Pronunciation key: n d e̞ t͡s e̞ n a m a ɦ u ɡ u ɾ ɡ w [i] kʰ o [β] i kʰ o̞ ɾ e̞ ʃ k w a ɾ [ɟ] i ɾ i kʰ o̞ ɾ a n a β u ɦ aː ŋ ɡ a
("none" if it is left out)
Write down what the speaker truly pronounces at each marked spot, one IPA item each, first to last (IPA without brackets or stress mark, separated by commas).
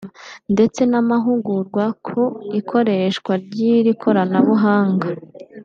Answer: a, none, ɟ